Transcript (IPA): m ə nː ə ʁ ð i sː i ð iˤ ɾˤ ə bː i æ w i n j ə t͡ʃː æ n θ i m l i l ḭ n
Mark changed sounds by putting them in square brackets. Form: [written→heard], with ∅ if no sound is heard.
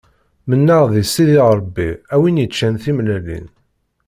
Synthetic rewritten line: m ə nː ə ʁ ð i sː i ð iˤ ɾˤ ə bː i æ w i n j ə t͡ʃː æ n θ i m l [i→æ] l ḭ n